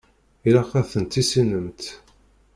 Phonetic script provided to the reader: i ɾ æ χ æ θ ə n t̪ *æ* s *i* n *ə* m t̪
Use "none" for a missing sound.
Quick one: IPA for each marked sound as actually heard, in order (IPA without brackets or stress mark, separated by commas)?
i, i, ə